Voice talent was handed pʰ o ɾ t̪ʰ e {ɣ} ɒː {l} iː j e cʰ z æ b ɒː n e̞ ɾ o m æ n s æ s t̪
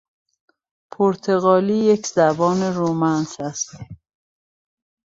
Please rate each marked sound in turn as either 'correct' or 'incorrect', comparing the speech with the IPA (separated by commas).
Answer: correct, correct